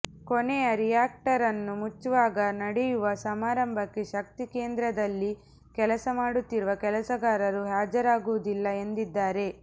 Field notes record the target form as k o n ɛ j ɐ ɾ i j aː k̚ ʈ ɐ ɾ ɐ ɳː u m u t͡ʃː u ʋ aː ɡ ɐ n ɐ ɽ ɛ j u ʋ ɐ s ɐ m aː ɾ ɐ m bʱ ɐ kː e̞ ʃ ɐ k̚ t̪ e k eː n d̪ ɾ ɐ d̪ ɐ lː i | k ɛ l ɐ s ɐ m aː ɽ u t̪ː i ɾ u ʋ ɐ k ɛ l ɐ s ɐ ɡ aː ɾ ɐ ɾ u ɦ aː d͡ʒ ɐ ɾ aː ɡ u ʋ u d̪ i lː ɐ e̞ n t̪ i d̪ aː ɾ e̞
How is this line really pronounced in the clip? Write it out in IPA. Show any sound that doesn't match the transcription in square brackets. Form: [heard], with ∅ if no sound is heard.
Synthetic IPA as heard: k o n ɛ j ɐ ɾ i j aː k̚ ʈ ɐ ɾ ɐ [nː] u m u t͡ʃː u ʋ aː ɡ ɐ n ɐ ɽ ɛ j u ʋ ɐ s ɐ m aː ɾ ɐ m bʱ ɐ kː e̞ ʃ ɐ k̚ t̪ [i] k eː n d̪ ɾ ɐ d̪ ɐ lː i | k ɛ l ɐ s ɐ m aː ɽ u t̪ː i ɾ u ʋ ɐ k ɛ l ɐ s ɐ ɡ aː ɾ ɐ ɾ u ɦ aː d͡ʒ ɐ ɾ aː ɡ u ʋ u d̪ i lː ɐ e̞ n [d̪] i [d̪ː] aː ɾ e̞